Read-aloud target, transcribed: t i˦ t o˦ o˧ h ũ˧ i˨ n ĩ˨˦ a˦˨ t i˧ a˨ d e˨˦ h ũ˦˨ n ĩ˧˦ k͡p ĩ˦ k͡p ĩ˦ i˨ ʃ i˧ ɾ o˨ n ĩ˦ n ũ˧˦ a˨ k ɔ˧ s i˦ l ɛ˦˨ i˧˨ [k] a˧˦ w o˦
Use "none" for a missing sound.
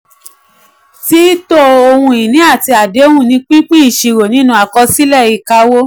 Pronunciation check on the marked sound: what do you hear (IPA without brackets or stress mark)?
k